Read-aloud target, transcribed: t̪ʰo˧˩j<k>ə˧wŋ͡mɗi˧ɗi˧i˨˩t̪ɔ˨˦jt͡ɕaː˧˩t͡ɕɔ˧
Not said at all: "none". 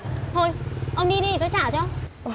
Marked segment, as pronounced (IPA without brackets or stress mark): ʔ